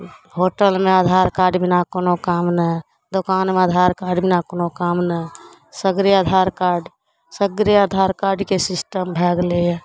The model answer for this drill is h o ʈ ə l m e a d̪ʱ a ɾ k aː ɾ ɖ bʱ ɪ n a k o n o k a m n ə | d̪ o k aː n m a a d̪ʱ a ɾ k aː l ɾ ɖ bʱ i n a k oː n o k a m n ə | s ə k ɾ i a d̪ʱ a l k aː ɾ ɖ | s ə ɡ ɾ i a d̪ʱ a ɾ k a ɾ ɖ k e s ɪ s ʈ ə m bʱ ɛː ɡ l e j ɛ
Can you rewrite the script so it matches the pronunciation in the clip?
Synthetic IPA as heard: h o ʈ ə l m e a d̪ʱ a ɾ k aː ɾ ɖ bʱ i n a k o n o k a m n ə | d̪ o k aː n m e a d̪ʱ a ɾ k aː ɾ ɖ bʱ i n a k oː n o k a m n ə | s ə ɡ ɾ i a d̪ʱ a ɾ k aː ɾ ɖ | s ə ɡ ɾ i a d̪ʱ a ɾ k a ɾ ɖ k e s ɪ s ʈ ə m bʱ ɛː ɡ l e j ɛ